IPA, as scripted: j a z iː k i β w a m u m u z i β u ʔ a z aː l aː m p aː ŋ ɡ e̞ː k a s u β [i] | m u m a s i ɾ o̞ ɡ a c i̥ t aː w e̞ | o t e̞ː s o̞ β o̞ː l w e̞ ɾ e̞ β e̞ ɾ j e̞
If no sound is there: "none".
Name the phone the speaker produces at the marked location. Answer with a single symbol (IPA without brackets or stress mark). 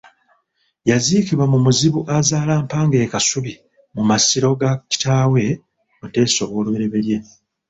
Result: i